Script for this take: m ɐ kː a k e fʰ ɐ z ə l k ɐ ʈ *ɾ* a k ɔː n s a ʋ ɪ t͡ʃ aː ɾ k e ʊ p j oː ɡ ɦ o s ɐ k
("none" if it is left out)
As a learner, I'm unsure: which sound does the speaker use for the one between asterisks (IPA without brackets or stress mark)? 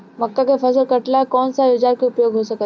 l